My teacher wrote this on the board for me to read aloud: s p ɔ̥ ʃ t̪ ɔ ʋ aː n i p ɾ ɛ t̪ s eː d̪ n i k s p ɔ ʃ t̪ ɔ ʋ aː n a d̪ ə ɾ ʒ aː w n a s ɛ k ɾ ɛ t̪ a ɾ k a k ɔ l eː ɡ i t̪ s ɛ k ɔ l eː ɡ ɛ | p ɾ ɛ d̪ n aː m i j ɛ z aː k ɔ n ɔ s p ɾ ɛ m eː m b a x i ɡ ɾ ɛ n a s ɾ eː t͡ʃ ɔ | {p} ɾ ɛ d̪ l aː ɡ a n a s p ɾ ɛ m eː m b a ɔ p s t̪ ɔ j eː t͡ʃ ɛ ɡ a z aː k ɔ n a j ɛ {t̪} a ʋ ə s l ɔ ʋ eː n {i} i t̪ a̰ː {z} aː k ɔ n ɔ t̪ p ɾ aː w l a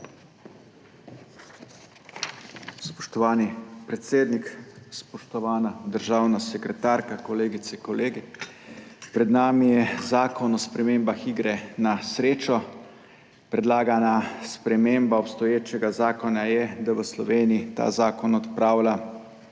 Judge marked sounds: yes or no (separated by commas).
yes, no, yes, yes